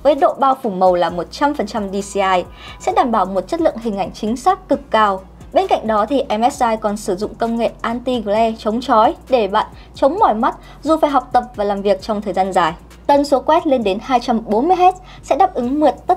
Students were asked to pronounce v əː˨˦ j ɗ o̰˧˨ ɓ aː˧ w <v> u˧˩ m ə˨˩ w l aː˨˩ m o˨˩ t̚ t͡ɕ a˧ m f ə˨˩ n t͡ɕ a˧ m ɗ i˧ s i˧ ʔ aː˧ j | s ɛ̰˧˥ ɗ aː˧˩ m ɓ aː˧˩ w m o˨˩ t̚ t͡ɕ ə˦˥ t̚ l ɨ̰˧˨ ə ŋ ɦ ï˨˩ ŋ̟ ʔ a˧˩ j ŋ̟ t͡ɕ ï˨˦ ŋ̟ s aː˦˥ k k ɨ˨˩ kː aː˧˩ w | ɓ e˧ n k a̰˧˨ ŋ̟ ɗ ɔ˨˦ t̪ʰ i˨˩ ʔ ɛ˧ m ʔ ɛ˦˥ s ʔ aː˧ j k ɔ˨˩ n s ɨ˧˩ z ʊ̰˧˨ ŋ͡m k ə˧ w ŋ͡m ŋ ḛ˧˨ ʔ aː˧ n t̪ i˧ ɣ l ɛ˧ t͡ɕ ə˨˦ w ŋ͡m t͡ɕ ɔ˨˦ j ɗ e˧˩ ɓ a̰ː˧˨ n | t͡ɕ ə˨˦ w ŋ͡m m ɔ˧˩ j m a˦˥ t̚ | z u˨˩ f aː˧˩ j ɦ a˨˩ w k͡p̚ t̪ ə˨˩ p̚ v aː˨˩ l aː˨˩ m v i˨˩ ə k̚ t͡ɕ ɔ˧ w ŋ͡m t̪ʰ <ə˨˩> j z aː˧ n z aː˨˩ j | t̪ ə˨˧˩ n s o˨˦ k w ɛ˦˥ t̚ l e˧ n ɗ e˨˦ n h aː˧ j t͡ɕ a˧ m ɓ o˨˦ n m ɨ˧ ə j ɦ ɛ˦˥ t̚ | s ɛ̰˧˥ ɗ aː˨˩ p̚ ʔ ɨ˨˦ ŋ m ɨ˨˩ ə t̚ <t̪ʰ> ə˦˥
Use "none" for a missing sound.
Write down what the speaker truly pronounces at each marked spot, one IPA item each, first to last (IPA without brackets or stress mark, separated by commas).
f, əː˨˩, t̪